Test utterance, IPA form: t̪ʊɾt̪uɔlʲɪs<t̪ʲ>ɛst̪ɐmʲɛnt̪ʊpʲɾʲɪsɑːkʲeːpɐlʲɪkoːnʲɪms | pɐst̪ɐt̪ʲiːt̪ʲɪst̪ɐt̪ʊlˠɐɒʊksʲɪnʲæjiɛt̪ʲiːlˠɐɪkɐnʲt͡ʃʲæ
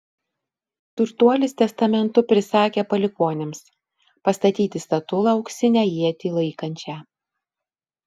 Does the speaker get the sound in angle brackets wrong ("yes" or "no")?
no